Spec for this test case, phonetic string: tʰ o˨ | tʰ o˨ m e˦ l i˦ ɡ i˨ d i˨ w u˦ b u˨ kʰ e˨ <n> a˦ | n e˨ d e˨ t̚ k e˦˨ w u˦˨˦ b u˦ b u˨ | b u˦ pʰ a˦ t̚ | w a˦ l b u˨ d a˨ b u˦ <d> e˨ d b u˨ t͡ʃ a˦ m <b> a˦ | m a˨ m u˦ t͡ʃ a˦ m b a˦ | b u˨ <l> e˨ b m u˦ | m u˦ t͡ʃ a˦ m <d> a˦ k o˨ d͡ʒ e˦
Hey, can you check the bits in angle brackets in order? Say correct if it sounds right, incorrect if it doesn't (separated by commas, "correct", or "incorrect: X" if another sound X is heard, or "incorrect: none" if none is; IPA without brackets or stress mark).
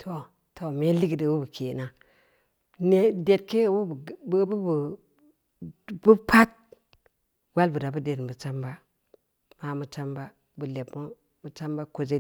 correct, correct, correct, correct, incorrect: b